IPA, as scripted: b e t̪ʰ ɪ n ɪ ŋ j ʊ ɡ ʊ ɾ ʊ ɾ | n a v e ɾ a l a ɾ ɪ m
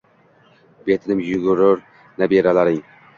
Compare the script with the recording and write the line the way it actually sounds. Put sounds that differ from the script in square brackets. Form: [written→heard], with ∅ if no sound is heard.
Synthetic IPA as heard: b e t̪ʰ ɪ n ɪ [ŋ→m] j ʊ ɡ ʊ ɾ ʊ ɾ | n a [v→b] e ɾ a l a ɾ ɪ [m→ŋ]